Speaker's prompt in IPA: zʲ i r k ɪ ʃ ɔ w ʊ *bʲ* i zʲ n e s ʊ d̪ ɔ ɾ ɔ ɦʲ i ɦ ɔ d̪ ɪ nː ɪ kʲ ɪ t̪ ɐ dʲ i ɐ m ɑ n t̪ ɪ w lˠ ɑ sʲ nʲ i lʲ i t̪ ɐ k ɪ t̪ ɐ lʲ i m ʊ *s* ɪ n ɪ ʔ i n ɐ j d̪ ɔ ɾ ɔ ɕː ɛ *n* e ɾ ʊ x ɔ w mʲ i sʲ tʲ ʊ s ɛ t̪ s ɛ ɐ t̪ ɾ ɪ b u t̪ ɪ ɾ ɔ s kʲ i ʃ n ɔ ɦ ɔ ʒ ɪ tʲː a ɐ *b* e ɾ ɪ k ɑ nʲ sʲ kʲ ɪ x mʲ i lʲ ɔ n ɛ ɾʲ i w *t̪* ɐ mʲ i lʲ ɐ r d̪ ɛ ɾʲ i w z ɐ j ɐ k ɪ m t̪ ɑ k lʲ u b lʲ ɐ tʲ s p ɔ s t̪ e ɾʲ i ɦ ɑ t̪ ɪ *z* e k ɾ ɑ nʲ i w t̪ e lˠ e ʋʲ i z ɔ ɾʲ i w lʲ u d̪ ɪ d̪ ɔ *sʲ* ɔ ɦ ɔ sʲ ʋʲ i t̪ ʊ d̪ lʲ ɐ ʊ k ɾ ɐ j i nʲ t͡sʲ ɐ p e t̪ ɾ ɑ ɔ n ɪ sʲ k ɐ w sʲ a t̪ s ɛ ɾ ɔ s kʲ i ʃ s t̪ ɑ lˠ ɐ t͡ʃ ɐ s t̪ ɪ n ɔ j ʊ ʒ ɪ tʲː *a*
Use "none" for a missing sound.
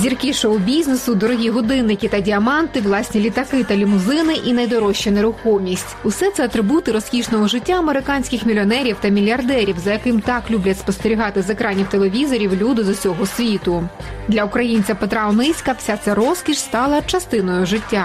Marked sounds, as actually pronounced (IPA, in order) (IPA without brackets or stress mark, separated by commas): bʲ, z, n, m, t̪, z, sʲ, a